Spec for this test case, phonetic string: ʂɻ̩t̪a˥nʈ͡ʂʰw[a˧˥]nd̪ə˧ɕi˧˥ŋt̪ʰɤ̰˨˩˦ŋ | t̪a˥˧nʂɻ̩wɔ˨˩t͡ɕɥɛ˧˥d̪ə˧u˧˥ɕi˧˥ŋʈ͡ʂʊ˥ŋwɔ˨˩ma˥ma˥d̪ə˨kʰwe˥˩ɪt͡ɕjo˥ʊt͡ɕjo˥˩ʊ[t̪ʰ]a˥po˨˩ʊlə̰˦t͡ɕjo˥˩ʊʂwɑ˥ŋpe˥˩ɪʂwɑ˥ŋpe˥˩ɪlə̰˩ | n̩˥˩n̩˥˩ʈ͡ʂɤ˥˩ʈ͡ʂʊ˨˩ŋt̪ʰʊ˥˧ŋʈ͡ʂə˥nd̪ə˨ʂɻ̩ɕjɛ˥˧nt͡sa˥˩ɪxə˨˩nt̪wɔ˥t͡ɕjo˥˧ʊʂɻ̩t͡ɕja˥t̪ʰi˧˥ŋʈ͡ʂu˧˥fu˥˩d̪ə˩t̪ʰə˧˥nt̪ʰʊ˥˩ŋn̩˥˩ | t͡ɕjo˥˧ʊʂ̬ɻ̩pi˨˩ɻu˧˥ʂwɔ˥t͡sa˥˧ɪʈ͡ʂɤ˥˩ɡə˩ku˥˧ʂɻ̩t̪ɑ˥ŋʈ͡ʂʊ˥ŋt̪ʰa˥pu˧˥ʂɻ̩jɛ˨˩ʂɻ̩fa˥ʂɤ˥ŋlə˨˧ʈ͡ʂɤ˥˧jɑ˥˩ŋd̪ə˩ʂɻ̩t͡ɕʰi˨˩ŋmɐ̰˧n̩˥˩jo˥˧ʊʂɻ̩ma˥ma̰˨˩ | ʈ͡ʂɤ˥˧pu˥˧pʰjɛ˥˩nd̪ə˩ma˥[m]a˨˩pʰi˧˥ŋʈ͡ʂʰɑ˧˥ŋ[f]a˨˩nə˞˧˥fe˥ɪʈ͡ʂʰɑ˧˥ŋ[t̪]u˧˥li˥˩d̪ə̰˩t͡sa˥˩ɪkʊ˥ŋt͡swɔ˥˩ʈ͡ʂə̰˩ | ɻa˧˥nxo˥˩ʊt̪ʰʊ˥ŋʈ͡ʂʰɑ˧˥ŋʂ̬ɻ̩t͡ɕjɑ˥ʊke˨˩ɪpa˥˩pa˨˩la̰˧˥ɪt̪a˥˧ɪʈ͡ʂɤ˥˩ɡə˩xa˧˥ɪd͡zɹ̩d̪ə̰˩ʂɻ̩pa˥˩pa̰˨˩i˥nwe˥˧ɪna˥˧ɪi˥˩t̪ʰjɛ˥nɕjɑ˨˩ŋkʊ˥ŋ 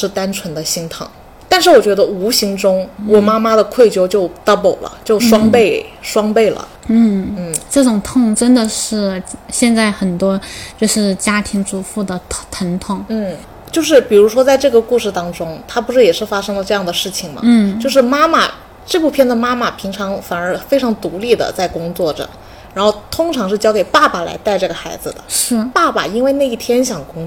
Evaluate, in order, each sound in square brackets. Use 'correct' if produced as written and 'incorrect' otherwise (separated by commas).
incorrect, incorrect, correct, correct, correct